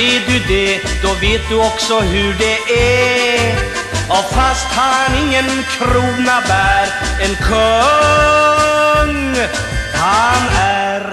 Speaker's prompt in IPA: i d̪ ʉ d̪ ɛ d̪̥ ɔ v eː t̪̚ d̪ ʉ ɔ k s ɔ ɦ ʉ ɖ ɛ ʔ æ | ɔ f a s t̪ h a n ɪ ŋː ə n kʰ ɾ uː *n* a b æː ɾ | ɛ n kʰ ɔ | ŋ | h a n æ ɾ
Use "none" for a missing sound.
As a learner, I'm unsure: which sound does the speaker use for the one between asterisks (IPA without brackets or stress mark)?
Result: n